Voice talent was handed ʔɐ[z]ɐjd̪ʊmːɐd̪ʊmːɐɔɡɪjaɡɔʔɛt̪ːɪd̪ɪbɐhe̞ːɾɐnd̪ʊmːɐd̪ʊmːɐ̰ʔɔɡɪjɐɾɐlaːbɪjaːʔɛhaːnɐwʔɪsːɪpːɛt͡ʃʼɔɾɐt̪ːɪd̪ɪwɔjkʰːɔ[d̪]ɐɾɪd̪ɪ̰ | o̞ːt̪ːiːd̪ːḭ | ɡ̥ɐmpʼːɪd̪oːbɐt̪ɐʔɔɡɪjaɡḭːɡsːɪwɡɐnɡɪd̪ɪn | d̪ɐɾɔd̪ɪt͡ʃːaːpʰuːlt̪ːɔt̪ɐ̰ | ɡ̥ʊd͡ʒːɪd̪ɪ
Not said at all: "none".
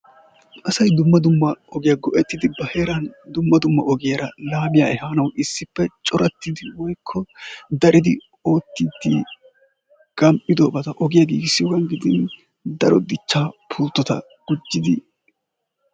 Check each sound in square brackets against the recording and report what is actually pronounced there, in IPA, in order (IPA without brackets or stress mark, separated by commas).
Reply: s, d̪